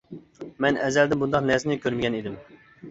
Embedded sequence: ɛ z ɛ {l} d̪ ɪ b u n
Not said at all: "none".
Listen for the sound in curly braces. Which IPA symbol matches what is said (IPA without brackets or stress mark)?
l